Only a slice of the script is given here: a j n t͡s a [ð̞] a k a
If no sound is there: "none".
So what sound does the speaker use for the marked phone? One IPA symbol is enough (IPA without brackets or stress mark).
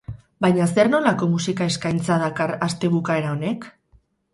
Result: ð̞